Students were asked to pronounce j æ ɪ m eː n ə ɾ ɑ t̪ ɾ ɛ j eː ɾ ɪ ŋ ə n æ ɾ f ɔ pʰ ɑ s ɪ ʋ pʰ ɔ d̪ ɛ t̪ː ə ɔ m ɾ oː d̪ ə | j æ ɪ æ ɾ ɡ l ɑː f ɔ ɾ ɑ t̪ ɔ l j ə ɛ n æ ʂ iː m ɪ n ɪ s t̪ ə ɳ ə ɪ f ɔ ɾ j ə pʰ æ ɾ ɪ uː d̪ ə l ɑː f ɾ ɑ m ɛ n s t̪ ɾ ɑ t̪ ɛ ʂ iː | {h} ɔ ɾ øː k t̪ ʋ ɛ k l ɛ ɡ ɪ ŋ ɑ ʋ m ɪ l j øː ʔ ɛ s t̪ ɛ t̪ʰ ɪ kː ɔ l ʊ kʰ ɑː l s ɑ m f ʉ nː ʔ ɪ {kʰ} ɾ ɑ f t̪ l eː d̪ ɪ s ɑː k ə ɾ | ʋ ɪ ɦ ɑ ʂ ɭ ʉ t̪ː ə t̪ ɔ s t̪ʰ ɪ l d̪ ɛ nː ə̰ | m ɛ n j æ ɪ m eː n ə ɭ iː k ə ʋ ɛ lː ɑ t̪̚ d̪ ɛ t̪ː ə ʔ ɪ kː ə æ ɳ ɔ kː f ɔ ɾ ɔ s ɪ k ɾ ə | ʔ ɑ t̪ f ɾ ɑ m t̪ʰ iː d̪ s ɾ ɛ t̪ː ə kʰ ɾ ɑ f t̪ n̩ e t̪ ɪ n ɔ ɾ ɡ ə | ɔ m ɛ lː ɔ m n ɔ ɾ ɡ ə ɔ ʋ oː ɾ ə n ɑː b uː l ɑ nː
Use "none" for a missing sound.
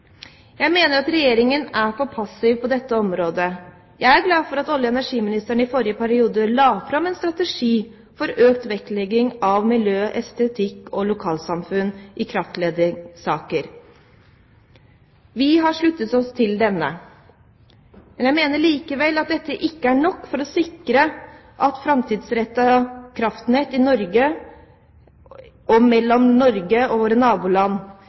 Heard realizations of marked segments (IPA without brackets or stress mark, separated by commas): f, kʰ